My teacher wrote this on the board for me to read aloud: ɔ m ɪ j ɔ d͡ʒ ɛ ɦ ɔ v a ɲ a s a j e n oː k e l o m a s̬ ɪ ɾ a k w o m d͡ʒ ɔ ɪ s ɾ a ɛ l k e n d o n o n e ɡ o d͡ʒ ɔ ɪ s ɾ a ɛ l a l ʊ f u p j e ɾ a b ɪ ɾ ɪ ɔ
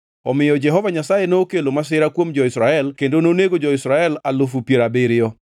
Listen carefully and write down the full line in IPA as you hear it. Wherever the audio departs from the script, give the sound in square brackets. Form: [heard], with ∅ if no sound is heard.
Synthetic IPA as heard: ɔ m ɪ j ɔ d͡ʒ ɛ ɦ ɔ v a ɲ a s a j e n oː k e l o m a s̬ ɪ ɾ a k w o m d͡ʒ ɔ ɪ s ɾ a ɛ l k e n d o n o n e ɡ o d͡ʒ ɔ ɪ s ɾ a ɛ l a l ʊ f u p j e ɾ a b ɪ ɾ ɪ ɔ